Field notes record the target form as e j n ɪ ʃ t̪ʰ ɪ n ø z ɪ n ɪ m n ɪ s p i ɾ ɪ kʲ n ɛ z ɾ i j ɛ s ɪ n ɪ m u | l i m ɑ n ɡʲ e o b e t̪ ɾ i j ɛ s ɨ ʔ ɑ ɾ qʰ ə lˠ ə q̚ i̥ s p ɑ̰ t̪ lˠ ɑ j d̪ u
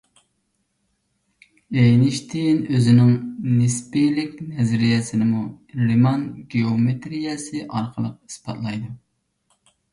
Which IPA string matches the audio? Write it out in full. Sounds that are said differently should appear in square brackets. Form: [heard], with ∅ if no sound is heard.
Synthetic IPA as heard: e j n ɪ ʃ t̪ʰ ɪ n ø z ɪ n ɪ [ŋ] n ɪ s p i [l] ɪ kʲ n ɛ z ɾ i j ɛ s ɪ n ɪ m u | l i m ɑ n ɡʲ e o [m] e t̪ ɾ i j ɛ s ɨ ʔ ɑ ɾ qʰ ə lˠ ə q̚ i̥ s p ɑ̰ t̪ lˠ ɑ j d̪ u